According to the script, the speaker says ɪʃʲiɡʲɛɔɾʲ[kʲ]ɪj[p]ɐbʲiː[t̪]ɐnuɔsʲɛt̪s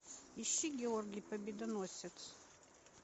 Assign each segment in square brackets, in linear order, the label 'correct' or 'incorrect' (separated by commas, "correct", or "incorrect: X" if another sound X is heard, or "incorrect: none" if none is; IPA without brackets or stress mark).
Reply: incorrect: ɡʲ, correct, incorrect: d̪